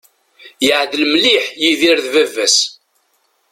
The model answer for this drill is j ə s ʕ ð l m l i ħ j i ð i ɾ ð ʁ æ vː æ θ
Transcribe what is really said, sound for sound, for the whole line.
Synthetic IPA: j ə ʕ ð l m l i ħ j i ð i ɾ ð v æ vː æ s